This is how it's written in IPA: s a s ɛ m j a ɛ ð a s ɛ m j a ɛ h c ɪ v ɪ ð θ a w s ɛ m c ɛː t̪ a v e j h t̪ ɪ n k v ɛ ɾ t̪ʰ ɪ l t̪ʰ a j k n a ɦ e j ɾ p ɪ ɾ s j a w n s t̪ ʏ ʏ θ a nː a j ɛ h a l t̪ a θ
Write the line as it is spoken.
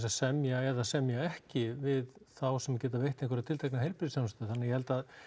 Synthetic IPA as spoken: s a s ɛ m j a ɛ ð a s ɛ m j a ɛ h c ɪ v ɪ ð θ a w s ɛ m c ɛː t̪ a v e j h t̪ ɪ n k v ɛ ɾ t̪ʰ ɪ l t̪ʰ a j k n a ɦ e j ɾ p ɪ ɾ s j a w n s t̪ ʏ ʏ θ a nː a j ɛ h ɛ l t̪ a ð